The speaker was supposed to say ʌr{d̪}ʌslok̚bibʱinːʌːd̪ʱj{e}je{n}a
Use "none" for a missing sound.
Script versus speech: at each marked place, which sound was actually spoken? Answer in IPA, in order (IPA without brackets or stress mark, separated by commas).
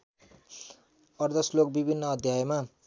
d̪, a, m